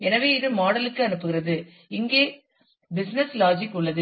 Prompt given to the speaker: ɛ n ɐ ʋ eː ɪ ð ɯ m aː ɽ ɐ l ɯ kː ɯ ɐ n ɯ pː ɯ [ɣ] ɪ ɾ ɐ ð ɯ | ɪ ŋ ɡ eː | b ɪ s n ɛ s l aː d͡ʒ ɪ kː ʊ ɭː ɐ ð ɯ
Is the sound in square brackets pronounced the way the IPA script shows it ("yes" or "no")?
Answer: yes